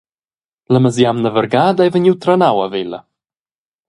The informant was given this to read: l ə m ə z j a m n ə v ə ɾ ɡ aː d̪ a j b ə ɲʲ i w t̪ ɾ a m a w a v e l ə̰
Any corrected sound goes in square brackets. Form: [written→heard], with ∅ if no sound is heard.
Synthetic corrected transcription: l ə m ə z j a m n ə v ə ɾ ɡ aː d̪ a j [b→v] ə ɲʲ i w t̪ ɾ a [m→n] a w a v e l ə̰